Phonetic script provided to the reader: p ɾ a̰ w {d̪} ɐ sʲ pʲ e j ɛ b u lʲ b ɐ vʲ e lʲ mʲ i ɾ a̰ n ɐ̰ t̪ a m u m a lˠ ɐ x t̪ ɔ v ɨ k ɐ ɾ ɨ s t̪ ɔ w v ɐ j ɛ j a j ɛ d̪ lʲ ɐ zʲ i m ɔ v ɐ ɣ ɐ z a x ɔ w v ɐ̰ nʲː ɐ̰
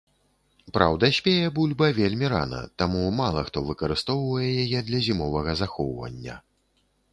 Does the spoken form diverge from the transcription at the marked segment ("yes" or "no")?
no